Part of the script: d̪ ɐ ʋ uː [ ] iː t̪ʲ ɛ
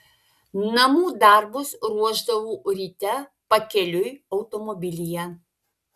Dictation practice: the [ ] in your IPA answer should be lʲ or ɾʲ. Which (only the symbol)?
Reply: ɾʲ